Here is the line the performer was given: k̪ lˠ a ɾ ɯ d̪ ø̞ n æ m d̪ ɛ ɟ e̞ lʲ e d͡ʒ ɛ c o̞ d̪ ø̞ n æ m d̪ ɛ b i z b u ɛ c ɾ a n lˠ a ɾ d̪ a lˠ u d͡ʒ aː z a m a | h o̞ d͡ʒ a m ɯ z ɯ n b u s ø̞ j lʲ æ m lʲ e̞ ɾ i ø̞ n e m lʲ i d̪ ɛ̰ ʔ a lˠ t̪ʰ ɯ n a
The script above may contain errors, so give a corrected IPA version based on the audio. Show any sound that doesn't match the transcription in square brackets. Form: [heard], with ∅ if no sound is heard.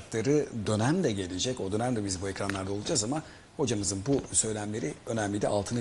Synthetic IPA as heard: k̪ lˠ a ɾ ɯ d̪ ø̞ n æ m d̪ ɛ ɟ e̞ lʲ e d͡ʒ ɛ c o̞ d̪ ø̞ n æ m d̪ ɛ b i z b u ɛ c ɾ a n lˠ a ɾ d̪ a lˠ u d͡ʒ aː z a m a | h o̞ d͡ʒ a m ɯ z ɯ n b u s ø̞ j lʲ æ m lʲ e̞ ɾ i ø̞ n [æ] m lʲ i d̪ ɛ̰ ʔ a lˠ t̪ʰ ɯ n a